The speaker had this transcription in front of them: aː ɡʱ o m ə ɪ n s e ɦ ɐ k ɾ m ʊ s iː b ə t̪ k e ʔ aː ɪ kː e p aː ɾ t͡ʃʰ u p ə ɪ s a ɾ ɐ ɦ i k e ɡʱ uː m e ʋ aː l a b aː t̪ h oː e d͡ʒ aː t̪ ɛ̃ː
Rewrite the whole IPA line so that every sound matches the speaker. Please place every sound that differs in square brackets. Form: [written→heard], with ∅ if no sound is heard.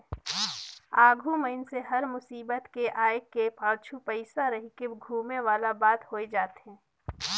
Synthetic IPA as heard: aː ɡʱ [o→u] m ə ɪ n s e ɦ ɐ [k→∅] ɾ m ʊ s iː b ə t̪ k e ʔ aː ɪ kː e p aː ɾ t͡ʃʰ u p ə ɪ s a ɾ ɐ ɦ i k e ɡʱ uː m e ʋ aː l a b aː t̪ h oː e d͡ʒ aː t̪ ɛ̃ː

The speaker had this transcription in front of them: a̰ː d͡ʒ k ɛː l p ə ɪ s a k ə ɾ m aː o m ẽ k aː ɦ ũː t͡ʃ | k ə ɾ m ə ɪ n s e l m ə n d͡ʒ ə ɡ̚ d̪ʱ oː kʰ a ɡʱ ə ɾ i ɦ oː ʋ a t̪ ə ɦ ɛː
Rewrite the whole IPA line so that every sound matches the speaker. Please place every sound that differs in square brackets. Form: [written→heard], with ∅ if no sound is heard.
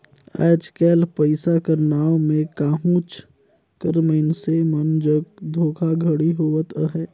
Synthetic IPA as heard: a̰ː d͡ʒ k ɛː l p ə ɪ s a k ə ɾ [m→n] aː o m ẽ k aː ɦ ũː t͡ʃ | k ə ɾ m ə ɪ n s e [l→∅] m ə n d͡ʒ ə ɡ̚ d̪ʱ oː kʰ a ɡʱ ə [ɾ→ɽ] i ɦ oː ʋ [a→ə] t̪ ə ɦ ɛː

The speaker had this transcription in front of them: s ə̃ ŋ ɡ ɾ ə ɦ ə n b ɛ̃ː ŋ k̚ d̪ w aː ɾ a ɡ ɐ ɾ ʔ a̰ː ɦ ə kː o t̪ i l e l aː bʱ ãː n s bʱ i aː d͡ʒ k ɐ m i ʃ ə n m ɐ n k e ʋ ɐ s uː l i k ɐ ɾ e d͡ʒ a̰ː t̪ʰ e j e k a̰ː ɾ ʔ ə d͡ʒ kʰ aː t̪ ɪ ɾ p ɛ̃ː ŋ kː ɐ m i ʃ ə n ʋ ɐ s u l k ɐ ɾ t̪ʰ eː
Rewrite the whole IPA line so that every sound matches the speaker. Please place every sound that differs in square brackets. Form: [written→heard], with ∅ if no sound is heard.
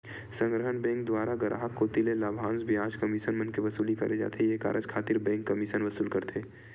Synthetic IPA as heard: s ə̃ ŋ ɡ ɾ ə ɦ ə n b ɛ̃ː ŋ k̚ d̪ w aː ɾ a ɡ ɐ ɾ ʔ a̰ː ɦ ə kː o t̪ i l e l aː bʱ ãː n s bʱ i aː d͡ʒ k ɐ m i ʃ ə n m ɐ n k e ʋ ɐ s uː l i k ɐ ɾ e d͡ʒ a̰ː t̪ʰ e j e k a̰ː ɾ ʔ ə d͡ʒ kʰ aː t̪ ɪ ɾ [p→b] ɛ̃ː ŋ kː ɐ m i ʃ ə n ʋ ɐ s [u→uː] l k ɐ ɾ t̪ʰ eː

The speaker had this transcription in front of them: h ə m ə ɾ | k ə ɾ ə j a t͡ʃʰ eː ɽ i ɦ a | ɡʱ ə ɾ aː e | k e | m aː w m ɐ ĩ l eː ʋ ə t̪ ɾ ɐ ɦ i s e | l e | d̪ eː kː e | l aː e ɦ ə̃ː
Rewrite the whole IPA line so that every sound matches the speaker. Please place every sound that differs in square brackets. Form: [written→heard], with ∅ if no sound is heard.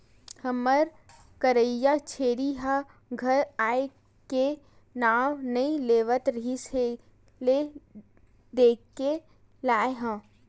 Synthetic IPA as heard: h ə m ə ɾ | k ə ɾ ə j a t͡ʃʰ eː [ɽ→ɾ] i ɦ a | ɡʱ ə ɾ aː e | k e | [m→n] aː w [m→n] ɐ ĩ l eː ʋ ə t̪ ɾ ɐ ɦ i s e | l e | d̪ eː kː e | l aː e ɦ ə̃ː

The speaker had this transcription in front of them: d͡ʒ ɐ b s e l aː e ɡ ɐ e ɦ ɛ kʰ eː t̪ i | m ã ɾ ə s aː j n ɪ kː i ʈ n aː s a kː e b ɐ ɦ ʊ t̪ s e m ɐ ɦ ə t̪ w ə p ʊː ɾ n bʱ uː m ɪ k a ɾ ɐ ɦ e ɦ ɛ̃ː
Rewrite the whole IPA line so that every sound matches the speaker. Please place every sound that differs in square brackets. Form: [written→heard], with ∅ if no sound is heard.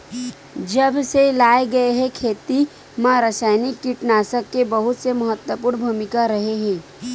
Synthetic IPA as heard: d͡ʒ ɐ b s e l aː e ɡ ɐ e ɦ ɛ kʰ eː t̪ i | m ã ɾ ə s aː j n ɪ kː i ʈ n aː s [a→ə] kː e b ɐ ɦ ʊ t̪ s e m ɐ ɦ ə t̪ w ə p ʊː ɾ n bʱ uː m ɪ k a ɾ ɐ ɦ e ɦ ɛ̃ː

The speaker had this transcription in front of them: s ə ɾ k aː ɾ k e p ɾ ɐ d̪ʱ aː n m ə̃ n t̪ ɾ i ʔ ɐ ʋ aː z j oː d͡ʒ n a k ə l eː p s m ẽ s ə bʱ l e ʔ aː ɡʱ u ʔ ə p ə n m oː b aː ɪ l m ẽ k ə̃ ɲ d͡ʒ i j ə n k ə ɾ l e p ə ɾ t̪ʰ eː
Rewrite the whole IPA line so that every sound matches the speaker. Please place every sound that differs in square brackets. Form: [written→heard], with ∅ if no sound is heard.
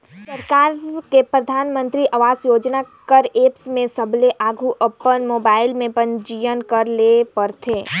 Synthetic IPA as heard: s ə ɾ k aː ɾ k e p ɾ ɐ d̪ʱ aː n m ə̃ n t̪ ɾ i ʔ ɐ ʋ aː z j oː d͡ʒ n a k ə [l→ɾ] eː p s m ẽ s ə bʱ l e ʔ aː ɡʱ u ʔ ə p ə n m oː b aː ɪ l m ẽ [k→p] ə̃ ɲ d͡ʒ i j ə n k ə ɾ l e p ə ɾ t̪ʰ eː

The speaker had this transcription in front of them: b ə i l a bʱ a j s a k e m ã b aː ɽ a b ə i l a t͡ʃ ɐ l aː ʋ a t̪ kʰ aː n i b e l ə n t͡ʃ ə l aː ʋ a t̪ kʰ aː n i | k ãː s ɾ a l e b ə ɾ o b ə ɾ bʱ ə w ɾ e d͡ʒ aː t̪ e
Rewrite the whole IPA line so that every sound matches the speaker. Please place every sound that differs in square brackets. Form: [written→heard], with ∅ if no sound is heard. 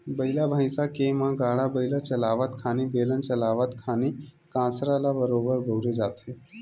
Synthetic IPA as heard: b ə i l a bʱ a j s a k e m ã [b→ɡ] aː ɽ a b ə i l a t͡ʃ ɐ l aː ʋ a t̪ kʰ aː n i b e l ə n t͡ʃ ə l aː ʋ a t̪ kʰ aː n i | k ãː s ɾ a l [e→a] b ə ɾ o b ə ɾ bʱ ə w ɾ e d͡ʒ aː t̪ e

